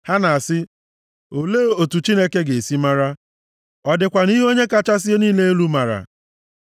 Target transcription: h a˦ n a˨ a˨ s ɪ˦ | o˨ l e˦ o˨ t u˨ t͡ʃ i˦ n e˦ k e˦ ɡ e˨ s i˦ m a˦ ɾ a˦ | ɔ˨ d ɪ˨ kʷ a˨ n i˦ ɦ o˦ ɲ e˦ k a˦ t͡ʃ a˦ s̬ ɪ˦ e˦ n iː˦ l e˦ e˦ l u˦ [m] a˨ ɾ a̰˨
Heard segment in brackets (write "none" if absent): m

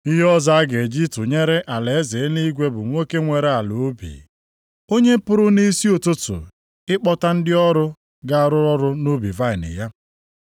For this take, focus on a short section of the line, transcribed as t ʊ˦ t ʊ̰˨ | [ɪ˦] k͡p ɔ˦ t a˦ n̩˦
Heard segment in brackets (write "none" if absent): ɪ˦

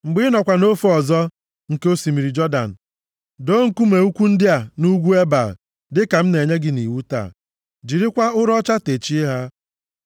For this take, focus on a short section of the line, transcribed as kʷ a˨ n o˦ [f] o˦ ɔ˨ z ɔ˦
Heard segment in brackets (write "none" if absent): f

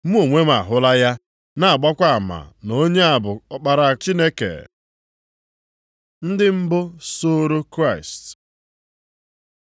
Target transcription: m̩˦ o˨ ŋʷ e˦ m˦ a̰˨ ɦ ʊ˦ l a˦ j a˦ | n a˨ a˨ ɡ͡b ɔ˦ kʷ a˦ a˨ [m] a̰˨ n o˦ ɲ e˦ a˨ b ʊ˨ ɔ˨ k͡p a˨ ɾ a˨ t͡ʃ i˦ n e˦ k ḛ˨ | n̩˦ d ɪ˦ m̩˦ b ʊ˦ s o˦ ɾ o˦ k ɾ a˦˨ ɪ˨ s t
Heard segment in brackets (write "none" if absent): m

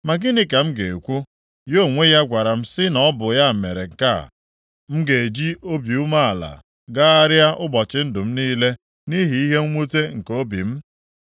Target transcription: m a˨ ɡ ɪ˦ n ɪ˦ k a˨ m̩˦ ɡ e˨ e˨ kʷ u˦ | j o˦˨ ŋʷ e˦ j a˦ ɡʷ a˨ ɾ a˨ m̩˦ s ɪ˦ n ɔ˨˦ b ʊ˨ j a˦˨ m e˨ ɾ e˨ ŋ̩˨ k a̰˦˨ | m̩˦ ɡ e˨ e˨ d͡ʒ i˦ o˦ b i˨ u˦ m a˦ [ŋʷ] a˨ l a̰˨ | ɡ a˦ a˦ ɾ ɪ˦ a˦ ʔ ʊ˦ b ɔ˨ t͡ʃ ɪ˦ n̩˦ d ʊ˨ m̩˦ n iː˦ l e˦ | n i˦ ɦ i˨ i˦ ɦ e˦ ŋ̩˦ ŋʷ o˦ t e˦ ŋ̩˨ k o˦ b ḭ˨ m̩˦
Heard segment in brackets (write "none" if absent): none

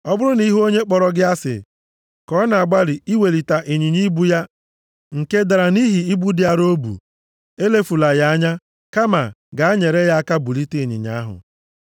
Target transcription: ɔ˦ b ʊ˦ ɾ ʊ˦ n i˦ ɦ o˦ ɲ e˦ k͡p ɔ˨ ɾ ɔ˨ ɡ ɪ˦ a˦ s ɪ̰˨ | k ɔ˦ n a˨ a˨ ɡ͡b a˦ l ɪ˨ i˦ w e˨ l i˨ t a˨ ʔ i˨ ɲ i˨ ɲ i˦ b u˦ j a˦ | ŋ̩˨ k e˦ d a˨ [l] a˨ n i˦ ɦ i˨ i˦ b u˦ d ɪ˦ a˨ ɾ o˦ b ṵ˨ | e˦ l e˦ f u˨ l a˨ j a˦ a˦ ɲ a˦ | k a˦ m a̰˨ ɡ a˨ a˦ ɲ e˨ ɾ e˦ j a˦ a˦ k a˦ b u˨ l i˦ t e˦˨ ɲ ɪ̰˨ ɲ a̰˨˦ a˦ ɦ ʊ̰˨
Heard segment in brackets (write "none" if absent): ɾ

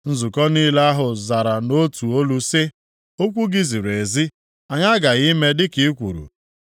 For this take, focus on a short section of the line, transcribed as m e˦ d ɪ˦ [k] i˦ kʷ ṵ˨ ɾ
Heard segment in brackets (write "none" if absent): k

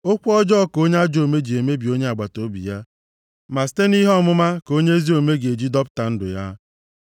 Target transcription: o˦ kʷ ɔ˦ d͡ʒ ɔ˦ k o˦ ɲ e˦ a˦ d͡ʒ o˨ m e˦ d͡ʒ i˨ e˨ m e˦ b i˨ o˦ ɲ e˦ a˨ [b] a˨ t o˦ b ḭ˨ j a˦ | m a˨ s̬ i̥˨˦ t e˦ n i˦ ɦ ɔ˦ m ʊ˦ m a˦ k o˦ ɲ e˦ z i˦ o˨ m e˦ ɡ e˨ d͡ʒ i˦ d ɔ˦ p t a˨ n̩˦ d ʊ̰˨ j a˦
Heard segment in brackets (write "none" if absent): ɡ͡b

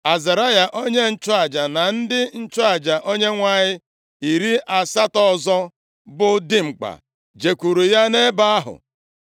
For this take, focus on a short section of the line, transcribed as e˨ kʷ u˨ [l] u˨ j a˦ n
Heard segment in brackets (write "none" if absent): ɾ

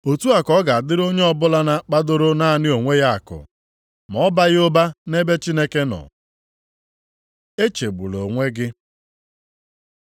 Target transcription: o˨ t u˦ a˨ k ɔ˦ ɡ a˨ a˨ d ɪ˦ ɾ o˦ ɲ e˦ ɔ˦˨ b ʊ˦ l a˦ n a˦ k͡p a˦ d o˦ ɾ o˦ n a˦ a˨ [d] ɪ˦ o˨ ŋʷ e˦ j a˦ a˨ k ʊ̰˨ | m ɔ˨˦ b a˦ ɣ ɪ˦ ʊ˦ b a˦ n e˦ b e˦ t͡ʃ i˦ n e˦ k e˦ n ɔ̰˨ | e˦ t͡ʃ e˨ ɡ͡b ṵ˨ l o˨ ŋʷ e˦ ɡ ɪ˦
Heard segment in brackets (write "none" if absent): n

